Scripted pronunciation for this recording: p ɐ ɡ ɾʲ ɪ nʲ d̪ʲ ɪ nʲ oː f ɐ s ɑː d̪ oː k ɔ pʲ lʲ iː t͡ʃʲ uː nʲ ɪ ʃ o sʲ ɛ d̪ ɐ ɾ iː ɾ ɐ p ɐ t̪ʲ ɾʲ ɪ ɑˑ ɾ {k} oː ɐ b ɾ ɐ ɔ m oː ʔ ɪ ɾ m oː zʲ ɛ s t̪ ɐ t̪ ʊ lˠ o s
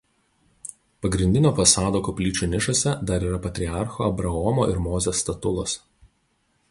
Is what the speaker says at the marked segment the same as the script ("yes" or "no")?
no